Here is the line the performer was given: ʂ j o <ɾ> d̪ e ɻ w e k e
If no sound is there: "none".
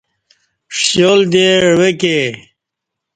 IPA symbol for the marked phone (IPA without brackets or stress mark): l